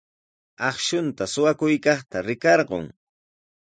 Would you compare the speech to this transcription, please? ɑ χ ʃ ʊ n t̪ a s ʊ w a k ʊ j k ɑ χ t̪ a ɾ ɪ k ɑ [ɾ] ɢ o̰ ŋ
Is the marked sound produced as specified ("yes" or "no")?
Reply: yes